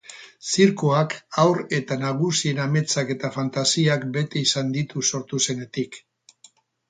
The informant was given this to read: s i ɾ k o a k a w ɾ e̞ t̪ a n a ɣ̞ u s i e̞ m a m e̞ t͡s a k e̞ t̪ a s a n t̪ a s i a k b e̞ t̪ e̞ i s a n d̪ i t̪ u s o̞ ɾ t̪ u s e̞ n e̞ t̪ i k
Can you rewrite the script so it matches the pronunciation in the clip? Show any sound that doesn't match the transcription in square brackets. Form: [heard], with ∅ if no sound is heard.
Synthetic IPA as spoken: s i ɾ k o a k a w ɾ e̞ t̪ a n a ɣ̞ u s i e̞ [n] a m e̞ t͡s a k e̞ t̪ a [f] a n t̪ a s i a k b e̞ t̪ e̞ i s a n d̪ i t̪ u s o̞ ɾ t̪ u s e̞ n e̞ t̪ i k

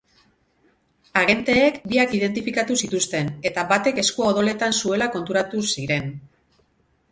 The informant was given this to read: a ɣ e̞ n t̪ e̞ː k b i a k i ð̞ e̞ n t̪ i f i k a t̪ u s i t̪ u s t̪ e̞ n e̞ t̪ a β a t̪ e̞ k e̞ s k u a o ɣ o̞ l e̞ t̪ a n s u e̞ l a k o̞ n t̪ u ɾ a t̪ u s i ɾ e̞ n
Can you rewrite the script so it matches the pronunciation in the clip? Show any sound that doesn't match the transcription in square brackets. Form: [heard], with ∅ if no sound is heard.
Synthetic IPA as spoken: a ɣ e̞ n t̪ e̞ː k b i a k i ð̞ e̞ n t̪ i f i k a t̪ u s i t̪ u s t̪ e̞ n e̞ t̪ a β a t̪ e̞ k e̞ s k u a o [ð] o̞ l e̞ t̪ a n s u e̞ l a k o̞ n t̪ u ɾ a t̪ u s i ɾ e̞ n

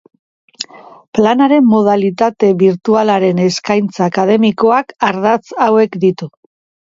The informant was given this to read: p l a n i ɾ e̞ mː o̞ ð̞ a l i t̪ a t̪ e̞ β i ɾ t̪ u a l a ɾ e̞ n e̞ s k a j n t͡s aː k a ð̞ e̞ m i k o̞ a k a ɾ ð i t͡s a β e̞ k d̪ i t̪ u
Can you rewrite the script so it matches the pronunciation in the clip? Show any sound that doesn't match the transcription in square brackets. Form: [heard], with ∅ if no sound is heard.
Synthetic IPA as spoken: p l a n [a] ɾ e̞ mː o̞ ð̞ a l i t̪ a t̪ e̞ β i ɾ t̪ u a l a ɾ e̞ n e̞ s k a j n t͡s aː k a ð̞ e̞ m i k o̞ a k a ɾ ð [a] t͡s a [w] e̞ k d̪ i t̪ u

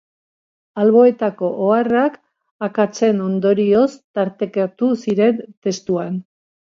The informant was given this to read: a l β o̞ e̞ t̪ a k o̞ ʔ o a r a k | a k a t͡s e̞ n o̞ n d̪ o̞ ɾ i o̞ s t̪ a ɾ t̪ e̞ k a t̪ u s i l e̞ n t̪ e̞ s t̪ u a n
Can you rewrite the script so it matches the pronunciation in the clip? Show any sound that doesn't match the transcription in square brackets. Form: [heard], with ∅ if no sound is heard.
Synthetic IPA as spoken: a l β o̞ e̞ t̪ a k o̞ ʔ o a r a k | a k a t͡s e̞ n o̞ n d̪ o̞ ɾ i o̞ s t̪ a ɾ t̪ e̞ k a t̪ u s i [ɾ] e̞ n t̪ e̞ s t̪ u a n

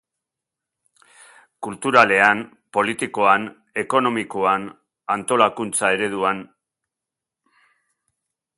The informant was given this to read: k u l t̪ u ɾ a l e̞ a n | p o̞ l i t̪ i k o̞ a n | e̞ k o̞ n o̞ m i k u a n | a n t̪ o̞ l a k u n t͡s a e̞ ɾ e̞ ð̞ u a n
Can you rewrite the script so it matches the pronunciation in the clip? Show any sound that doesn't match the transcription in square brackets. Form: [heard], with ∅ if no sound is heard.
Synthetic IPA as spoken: k u l t̪ u ɾ a l e̞ a n | p o̞ l i t̪ i k o̞ a n | e̞ k o̞ n o̞ m i k [o] a n | a n t̪ o̞ l a k u n t͡s a e̞ ɾ e̞ ð̞ u a n

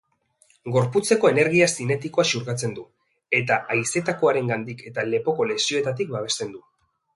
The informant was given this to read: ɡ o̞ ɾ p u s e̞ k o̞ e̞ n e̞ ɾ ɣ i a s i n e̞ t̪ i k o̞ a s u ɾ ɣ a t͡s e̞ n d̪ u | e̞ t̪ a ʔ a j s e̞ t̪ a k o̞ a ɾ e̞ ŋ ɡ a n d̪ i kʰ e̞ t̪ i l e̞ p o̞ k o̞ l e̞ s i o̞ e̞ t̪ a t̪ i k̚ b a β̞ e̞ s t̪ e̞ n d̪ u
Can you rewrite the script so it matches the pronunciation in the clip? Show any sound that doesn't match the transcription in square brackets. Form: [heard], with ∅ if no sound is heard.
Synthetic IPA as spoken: ɡ o̞ ɾ p u [t͡s] e̞ k o̞ e̞ n e̞ ɾ ɣ i a s i n e̞ t̪ i k o̞ a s u ɾ ɣ a t͡s e̞ n d̪ u | e̞ t̪ a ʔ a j s e̞ t̪ a k o̞ a ɾ e̞ ŋ ɡ a n d̪ i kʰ e̞ t̪ [a] l e̞ p o̞ k o̞ l e̞ s i o̞ e̞ t̪ a t̪ i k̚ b a β̞ e̞ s t̪ e̞ n d̪ u

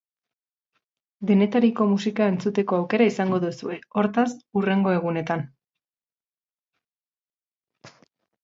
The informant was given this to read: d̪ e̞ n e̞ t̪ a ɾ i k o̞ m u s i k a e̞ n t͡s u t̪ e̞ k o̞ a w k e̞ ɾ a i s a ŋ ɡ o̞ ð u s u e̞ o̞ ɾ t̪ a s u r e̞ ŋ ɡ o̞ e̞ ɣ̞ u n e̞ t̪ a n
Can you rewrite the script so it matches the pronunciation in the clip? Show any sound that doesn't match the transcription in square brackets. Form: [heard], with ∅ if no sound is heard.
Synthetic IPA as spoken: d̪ e̞ n e̞ t̪ a ɾ i k o̞ m u s i k a e̞ n t͡s u t̪ e̞ k o̞ a w k e̞ ɾ a i s a ŋ ɡ o̞ ð u s u e̞ o̞ ɾ t̪ a s u r e̞ ŋ ɡ o̞ e̞ ɣ̞ u n e̞ t̪ a n

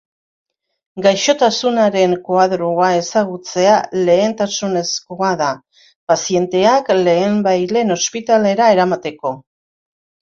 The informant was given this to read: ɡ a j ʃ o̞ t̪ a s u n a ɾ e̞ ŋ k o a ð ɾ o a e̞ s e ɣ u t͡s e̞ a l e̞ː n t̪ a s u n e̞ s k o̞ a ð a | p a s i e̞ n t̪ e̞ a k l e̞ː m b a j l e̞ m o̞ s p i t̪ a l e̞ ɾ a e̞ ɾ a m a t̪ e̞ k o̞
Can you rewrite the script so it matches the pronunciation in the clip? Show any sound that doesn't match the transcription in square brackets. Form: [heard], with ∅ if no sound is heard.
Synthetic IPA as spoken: ɡ a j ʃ o̞ t̪ a s u n a ɾ e̞ ŋ k o a ð ɾ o a e̞ s [a] ɣ u t͡s e̞ a l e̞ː n t̪ a s u n e̞ s k o̞ a ð a | p a s i e̞ n t̪ e̞ a k l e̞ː m b a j l e̞ [n] o̞ s p i t̪ a l e̞ ɾ a e̞ ɾ a m a t̪ e̞ k o̞

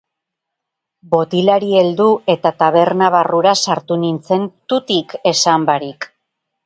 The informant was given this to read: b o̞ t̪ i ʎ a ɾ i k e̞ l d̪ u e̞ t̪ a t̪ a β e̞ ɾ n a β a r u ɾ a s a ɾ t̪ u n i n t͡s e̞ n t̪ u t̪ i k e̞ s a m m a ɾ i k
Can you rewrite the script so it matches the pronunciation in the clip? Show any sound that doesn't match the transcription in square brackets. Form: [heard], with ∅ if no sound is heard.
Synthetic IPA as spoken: b o̞ t̪ i [l] a ɾ i [∅] e̞ l d̪ u e̞ t̪ a t̪ a β e̞ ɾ n a β a r u ɾ a s a ɾ t̪ u n i n t͡s e̞ n t̪ u t̪ i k e̞ s a m [b] a ɾ i k

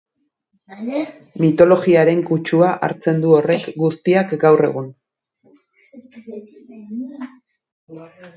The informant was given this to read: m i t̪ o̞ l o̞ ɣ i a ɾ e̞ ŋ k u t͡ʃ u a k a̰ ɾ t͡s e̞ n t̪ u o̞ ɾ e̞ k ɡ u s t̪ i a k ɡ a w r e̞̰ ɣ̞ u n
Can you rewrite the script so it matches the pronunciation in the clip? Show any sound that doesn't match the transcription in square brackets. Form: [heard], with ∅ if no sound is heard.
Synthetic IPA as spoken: m i t̪ o̞ l o̞ ɣ i a ɾ e̞ ŋ k u t͡ʃ u a [ʔ] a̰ ɾ t͡s e̞ n [d̪] u o̞ [r] e̞ k ɡ u s t̪ i a k ɡ a w r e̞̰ ɣ̞ u n

